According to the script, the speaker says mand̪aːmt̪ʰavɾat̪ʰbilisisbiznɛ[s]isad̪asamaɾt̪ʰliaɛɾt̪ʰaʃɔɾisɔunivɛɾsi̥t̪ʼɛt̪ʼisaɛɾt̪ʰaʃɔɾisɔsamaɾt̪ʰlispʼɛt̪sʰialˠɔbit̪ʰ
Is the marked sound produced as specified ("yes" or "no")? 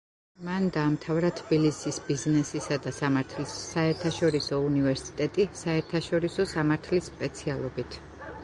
yes